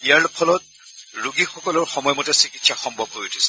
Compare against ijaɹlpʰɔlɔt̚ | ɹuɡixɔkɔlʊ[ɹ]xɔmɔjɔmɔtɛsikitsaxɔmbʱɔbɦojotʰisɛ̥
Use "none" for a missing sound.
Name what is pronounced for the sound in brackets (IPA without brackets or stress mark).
ɹ